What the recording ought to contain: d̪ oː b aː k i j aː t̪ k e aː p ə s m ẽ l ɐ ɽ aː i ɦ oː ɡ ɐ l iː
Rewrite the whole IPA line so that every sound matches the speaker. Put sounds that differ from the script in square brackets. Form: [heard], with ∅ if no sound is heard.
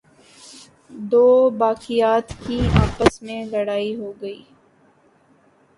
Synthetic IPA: d̪ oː b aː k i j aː t̪ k [i] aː p ə s m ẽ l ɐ ɽ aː i ɦ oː ɡ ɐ [∅] iː

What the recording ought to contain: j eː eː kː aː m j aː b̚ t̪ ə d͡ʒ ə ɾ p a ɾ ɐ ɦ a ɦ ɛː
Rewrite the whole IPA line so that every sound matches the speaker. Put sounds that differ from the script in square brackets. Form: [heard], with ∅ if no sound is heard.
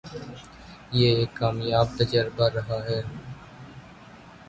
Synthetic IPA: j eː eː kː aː m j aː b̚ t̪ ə d͡ʒ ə ɾ [b] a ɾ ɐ ɦ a ɦ ɛː

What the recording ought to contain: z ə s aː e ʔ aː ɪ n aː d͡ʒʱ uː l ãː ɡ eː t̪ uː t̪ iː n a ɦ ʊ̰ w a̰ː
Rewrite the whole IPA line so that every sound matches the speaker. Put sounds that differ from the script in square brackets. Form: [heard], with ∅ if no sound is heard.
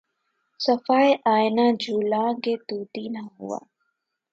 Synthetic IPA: [s] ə [f] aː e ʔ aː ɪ n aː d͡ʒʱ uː l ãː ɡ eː t̪ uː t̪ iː n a ɦ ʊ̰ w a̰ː

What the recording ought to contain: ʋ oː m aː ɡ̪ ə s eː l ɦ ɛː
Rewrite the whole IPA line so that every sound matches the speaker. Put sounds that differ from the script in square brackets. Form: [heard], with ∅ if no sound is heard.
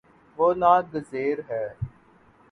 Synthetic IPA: ʋ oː [n] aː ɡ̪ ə [z] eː [ɾ] ɦ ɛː

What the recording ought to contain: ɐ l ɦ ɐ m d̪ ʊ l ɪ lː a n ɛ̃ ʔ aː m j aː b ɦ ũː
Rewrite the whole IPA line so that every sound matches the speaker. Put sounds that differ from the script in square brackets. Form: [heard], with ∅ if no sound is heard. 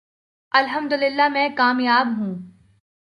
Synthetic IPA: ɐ l ɦ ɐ m d̪ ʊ l ɪ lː a [m] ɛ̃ [k] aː m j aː b ɦ ũː

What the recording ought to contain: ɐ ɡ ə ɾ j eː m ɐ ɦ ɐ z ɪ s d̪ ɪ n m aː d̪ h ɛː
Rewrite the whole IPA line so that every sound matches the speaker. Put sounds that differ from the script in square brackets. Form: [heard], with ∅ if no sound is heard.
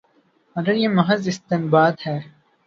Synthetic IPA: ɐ ɡ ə ɾ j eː m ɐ ɦ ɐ z ɪ s [t̪] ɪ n [b] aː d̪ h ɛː

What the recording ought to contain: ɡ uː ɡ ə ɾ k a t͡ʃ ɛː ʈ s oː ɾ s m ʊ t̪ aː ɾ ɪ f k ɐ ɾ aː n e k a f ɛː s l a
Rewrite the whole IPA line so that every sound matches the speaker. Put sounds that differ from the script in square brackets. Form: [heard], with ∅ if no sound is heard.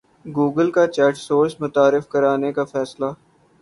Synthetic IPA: ɡ uː ɡ ə [l] k a t͡ʃ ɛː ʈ s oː ɾ s m ʊ t̪ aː ɾ ɪ f k ɐ ɾ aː n e k a f ɛː s l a

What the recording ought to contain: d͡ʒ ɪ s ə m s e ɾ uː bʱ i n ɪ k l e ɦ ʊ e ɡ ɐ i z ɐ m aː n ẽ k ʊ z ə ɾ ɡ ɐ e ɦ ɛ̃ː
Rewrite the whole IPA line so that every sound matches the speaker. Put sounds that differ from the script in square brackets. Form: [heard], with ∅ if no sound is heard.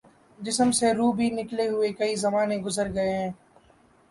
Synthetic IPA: d͡ʒ ɪ s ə m s e ɾ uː bʱ i n ɪ k l e ɦ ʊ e [k] ɐ i z ɐ m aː n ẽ [ɡ] ʊ z ə ɾ ɡ ɐ e ɦ ɛ̃ː

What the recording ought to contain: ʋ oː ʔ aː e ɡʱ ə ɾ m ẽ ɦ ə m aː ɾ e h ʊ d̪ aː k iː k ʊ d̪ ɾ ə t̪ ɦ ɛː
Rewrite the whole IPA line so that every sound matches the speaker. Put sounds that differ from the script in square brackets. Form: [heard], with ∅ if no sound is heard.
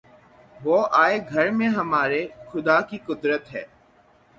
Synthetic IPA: ʋ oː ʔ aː e ɡʱ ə ɾ m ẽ ɦ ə m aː ɾ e [x] ʊ d̪ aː k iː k ʊ d̪ ɾ ə t̪ ɦ ɛː

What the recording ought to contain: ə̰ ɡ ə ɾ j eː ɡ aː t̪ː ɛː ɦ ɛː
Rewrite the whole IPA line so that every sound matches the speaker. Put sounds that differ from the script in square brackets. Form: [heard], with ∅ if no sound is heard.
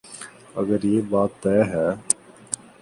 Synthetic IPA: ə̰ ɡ ə ɾ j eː [b] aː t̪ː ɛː ɦ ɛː

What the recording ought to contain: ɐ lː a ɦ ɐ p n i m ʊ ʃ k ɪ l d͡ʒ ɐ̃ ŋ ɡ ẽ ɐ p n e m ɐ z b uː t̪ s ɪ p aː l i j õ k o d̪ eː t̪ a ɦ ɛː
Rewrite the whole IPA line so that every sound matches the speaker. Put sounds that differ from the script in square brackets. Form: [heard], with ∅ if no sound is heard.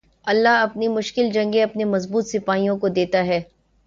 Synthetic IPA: ɐ lː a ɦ ɐ p n i m ʊ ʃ k ɪ l d͡ʒ ɐ̃ ŋ ɡ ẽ ɐ p n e m ɐ z b uː t̪ s ɪ p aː [∅] i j õ k o d̪ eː t̪ a ɦ ɛː

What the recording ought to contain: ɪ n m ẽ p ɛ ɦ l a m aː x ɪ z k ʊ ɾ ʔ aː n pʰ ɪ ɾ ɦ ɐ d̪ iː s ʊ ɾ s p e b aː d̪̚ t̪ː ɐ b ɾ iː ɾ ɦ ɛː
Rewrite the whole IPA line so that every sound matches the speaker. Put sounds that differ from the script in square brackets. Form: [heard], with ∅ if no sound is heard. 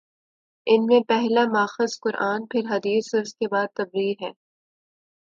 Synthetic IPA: ɪ n m ẽ p ɛ ɦ l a m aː x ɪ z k ʊ ɾ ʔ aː n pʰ ɪ ɾ ɦ ɐ d̪ iː s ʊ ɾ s [k] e b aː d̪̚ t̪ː ɐ b ɾ iː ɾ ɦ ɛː

